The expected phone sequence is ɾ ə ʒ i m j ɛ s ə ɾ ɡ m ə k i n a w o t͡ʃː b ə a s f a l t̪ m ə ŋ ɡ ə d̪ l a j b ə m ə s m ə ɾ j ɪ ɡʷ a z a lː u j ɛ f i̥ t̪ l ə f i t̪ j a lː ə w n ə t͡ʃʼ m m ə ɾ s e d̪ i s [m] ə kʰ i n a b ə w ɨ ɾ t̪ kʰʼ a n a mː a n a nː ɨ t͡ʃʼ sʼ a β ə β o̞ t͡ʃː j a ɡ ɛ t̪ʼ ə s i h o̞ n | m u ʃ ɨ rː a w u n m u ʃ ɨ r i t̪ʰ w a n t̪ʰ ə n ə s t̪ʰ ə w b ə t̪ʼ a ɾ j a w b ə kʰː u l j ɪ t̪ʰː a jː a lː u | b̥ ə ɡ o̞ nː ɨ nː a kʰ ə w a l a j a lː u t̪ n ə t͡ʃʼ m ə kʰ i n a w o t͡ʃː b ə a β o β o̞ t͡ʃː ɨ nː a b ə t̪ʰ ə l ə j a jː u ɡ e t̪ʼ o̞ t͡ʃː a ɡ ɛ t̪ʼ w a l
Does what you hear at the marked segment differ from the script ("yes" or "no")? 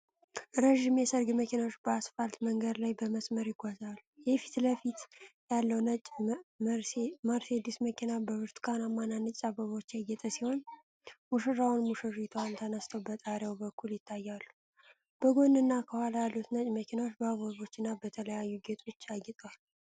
no